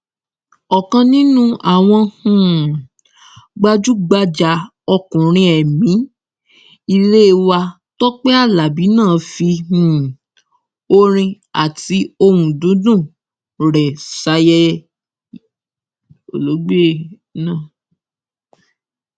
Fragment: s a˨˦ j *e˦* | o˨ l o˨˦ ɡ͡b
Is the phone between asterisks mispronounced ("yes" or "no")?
yes